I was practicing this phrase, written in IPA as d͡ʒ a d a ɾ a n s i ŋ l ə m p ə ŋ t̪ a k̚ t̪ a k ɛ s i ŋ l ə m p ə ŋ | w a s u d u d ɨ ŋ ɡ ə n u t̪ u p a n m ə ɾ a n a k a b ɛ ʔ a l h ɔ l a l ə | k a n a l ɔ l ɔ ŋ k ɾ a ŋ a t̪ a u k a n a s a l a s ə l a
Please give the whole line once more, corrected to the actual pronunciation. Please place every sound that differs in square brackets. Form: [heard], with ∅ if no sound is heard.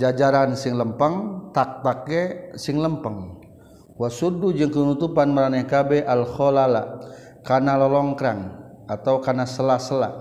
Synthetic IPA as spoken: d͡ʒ a [d͡ʒ] a ɾ a n s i ŋ l ə m p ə ŋ t̪ a k̚ t̪ a k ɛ s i ŋ l ə m p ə ŋ | w a s u d u [d͡ʒ] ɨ ŋ [k] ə n u t̪ u p a n m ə ɾ a n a k a b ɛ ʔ a l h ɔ l a l [a] | k a n a l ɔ l ɔ ŋ k ɾ a ŋ a t̪ a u k a n a s [ə] l a s ə l a